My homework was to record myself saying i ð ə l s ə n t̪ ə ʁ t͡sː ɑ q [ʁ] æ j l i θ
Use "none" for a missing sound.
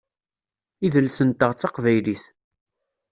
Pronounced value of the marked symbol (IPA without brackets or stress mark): v